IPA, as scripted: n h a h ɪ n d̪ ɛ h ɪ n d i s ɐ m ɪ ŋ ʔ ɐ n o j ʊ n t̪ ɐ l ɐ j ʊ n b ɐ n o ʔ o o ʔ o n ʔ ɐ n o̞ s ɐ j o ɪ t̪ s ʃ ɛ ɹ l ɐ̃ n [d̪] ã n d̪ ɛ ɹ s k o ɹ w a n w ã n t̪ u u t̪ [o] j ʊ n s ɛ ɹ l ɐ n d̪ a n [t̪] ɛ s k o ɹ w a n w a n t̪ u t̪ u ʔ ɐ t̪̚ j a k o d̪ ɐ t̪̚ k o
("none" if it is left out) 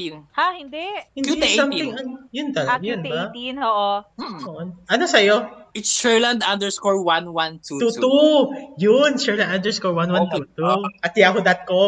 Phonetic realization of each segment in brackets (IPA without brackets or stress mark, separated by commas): d̪, u, d̪